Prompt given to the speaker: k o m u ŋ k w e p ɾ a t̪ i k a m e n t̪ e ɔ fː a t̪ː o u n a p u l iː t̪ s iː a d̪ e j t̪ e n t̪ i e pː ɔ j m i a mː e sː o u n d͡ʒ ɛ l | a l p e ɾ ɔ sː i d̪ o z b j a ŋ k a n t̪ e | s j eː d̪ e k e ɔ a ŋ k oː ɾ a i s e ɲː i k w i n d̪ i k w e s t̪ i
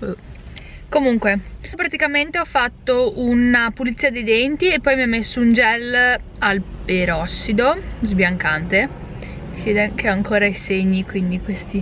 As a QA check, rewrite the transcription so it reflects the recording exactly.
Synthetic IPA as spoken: k o m u ŋ k w e p ɾ a t̪ i k a m e n t̪ e ɔ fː a t̪ː o u n a p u l i t̪ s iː a d̪ e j d̪ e n t̪ i e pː ɔ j m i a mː e sː o u n d͡ʒ ɛ l | a l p e ɾ ɔ sː i d̪ o z b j a ŋ k a n t̪ e | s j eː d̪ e k e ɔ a ŋ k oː ɾ a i s e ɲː i k w i n d̪ i k w e s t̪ i

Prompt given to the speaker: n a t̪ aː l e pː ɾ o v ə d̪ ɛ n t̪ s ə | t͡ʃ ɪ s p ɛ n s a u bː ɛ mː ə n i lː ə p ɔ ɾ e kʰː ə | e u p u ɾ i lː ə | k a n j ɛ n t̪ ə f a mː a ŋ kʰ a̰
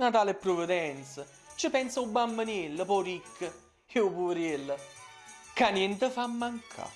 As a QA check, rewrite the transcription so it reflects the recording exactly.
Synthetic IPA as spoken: n a t̪ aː l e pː ɾ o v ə d̪ ɛ n t̪ s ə | t͡ʃ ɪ p ɛ n s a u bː a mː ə n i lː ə p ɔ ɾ i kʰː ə | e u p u ɾ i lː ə | k a n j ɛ n t̪ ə f a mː a ŋ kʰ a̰

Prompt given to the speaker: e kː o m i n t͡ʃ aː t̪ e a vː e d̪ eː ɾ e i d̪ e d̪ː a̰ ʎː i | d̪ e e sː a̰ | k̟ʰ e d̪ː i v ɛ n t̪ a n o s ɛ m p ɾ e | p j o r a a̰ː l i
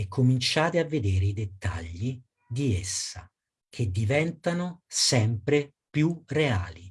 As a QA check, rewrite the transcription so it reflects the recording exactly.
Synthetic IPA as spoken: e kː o m i n t͡ʃ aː t̪ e a vː e d̪ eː ɾ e i d̪ e t̪ː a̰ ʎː i | d̪ i e sː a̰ | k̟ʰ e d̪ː i v ɛ n t̪ a n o s ɛ m p ɾ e | p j u r e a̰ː l i

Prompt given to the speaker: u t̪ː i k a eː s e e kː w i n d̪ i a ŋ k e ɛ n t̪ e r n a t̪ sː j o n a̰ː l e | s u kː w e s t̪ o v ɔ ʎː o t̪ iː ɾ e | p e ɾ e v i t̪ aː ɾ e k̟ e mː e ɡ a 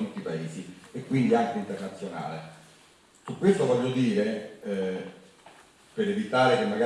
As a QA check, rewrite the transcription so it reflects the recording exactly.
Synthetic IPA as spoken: u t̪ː i p a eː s i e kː w i n d̪ i a ŋ k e i n t̪ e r n a t̪ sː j o n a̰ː l e | s u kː w e s t̪ o v ɔ ʎː o d̪ iː ɾ e | p e ɾ e v i t̪ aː ɾ e k̟ e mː a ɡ a

